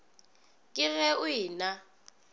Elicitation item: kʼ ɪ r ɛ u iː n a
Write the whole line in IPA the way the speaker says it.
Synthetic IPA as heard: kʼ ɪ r ɛ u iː n a